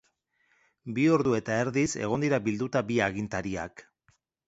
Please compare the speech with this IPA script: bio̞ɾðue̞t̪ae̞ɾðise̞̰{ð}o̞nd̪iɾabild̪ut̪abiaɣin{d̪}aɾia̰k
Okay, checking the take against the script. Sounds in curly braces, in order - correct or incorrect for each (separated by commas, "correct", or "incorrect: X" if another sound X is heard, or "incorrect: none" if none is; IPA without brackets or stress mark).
incorrect: ɣ, incorrect: t̪